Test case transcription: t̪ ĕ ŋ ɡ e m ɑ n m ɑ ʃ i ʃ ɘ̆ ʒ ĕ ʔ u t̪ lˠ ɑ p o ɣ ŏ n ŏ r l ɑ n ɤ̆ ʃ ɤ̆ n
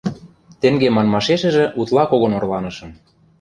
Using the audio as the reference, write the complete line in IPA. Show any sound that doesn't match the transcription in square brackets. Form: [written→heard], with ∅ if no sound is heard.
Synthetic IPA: t̪ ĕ ŋ ɡ e m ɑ n m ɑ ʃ [i→e] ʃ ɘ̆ ʒ ĕ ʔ u t̪ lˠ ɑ [p→k] o ɣ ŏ n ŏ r l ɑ n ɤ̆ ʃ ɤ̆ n